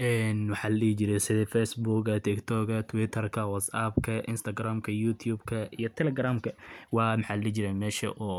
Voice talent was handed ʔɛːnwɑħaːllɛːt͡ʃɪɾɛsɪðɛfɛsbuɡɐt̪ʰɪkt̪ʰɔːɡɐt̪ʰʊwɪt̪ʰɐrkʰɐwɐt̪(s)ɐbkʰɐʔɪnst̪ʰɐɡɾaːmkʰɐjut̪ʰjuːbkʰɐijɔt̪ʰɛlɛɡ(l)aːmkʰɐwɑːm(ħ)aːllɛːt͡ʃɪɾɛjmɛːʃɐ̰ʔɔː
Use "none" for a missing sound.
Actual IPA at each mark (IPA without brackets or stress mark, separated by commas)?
s, ɾ, ħ